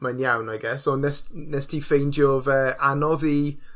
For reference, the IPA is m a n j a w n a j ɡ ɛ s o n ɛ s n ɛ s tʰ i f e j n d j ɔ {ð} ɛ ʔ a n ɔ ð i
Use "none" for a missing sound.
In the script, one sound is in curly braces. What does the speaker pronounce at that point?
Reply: v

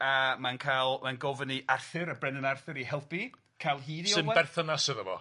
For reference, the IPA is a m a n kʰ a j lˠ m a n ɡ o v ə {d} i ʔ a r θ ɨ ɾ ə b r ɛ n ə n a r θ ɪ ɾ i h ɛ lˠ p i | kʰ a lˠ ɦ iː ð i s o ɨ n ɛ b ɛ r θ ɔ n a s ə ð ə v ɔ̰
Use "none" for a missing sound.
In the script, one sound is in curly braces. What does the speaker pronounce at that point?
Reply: n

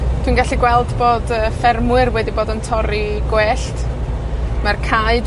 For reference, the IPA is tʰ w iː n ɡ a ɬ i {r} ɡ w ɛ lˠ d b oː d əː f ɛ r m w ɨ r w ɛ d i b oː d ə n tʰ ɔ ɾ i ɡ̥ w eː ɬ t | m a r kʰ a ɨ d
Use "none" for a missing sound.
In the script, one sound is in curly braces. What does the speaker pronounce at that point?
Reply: none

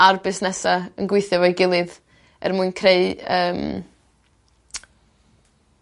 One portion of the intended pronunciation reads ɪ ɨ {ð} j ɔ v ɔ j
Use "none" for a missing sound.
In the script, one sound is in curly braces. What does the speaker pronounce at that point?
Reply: θ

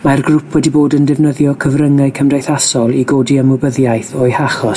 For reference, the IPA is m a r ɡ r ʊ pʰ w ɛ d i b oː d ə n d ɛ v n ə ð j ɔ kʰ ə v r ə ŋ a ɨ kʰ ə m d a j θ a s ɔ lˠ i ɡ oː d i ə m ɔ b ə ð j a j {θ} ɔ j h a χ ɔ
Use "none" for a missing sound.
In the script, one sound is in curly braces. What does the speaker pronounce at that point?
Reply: θ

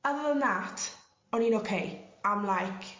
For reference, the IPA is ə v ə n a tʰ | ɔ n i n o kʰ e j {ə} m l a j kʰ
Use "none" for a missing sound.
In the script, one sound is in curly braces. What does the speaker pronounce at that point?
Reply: a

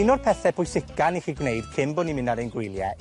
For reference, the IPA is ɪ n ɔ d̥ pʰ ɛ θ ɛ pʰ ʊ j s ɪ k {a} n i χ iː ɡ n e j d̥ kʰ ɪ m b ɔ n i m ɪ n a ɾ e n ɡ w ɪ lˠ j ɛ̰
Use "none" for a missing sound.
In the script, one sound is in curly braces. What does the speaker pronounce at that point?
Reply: a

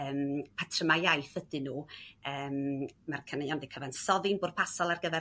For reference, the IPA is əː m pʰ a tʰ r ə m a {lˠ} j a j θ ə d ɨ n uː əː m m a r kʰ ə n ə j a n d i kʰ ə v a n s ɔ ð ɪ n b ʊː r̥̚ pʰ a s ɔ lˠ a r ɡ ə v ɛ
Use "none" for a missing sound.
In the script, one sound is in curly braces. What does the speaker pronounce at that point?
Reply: none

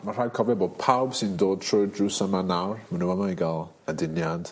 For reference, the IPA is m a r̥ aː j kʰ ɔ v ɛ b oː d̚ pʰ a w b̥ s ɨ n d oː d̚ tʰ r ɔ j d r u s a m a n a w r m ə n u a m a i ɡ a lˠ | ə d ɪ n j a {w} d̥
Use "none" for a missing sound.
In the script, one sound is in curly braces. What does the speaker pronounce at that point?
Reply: none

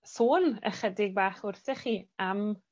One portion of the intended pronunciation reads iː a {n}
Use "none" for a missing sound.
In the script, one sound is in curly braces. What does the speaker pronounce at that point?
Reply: m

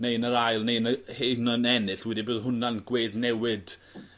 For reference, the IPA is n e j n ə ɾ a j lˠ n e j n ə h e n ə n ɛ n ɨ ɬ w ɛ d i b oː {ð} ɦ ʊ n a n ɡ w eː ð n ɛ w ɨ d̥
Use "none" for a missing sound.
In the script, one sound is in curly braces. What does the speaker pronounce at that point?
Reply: ð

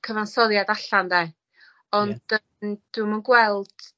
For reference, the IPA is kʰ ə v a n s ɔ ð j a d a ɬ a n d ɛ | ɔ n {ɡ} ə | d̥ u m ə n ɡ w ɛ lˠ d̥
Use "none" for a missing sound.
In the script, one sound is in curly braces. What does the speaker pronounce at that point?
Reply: d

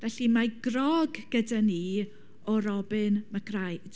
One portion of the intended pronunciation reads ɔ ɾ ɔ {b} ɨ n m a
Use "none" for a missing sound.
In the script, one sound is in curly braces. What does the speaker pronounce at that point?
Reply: b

